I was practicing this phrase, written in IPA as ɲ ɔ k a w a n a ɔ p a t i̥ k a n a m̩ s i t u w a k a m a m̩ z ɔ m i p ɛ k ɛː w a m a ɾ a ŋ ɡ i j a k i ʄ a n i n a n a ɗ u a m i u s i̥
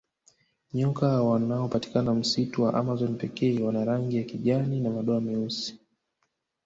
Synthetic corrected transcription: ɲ ɔ k a w a n a ɔ p a t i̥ k a n a m̩ s i t u w a ʔ a m a z ɔ n i p ɛ k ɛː w a n a ɾ a ŋ ɡ i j a k i ʄ a n i n a m a ɗ ɔ a m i u s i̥